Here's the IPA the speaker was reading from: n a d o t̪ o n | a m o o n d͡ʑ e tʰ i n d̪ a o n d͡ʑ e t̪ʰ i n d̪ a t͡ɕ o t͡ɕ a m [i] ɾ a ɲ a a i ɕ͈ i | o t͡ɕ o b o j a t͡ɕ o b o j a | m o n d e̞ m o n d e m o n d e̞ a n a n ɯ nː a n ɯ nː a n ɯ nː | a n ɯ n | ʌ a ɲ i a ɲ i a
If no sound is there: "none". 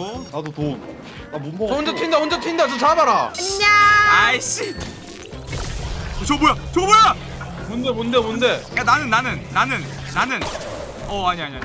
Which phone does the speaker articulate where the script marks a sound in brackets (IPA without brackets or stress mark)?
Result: a